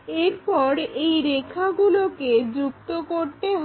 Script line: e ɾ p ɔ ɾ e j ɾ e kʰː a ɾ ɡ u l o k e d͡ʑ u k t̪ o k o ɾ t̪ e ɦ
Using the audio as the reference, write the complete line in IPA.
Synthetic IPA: e ɾ p ɔ ɾ e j ɾ e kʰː a ɡ u l o k e d͡ʑ u k t̪ o k o ɾ t̪ e ɦ